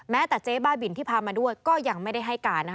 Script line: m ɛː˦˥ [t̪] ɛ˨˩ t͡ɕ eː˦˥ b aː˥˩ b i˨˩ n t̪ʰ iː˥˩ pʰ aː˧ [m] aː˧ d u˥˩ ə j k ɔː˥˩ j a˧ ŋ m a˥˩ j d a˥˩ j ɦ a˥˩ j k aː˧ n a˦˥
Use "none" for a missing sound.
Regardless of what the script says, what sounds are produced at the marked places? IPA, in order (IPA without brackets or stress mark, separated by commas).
t̪, m